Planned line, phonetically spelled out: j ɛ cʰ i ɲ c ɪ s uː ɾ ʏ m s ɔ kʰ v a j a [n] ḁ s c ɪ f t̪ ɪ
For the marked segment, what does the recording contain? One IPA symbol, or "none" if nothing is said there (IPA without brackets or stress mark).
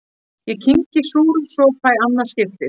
nː